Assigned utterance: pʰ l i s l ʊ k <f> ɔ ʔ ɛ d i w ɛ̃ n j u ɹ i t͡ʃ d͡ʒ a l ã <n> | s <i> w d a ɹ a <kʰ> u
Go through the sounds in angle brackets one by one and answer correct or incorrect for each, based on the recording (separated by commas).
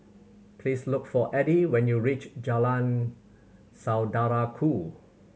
correct, correct, incorrect, correct